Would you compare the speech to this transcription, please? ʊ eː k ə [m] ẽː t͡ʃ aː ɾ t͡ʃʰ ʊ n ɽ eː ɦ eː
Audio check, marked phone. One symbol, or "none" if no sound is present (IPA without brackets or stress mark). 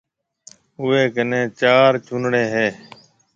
n